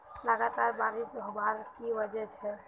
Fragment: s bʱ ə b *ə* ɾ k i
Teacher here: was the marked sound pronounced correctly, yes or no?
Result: no